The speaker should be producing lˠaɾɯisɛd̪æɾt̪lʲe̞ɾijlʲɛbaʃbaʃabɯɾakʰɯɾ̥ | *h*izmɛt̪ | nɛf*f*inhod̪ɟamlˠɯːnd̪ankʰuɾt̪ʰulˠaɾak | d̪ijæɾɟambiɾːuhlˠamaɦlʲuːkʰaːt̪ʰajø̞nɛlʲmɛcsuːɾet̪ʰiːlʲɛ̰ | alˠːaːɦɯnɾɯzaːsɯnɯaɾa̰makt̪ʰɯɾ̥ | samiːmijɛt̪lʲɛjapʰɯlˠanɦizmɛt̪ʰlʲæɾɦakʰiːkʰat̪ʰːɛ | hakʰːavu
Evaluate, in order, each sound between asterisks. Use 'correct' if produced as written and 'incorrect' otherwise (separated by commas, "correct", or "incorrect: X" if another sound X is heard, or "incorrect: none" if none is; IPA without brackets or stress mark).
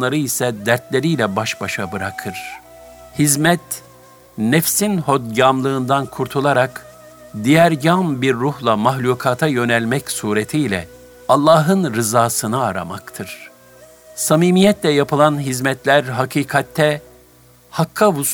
correct, incorrect: s